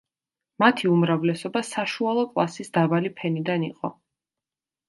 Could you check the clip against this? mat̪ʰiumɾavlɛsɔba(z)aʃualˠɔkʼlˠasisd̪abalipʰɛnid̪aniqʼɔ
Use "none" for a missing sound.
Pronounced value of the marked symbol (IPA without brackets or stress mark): s